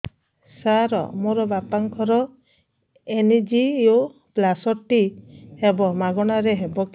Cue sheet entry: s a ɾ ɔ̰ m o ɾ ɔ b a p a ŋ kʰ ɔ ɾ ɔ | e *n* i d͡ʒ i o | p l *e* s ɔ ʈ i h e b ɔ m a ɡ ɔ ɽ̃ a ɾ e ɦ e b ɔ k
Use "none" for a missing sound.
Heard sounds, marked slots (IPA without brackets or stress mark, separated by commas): n, a